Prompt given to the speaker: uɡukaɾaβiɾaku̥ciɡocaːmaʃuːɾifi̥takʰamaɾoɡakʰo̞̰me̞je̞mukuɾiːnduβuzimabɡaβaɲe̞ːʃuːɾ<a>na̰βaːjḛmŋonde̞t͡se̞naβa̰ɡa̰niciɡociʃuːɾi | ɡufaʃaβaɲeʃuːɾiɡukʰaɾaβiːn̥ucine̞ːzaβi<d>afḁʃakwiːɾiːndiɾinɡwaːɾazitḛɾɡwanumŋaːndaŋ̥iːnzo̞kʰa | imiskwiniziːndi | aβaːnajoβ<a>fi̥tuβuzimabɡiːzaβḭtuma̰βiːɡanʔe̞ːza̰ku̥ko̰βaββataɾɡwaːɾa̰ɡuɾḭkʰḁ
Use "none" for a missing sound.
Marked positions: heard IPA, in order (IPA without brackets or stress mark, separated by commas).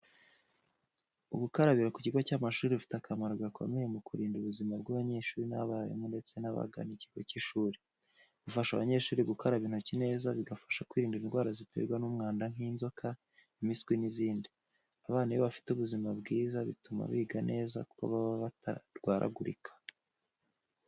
i, ɡ, a